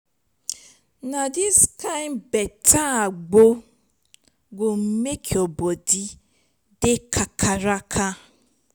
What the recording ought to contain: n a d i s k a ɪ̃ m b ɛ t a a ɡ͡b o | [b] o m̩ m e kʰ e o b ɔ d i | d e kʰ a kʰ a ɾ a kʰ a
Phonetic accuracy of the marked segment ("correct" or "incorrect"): incorrect